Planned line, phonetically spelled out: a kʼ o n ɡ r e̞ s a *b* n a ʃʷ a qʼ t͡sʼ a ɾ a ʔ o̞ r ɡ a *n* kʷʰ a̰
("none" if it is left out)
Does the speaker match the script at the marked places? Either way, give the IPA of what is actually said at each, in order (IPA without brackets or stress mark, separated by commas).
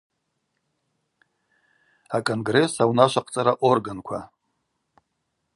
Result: w, n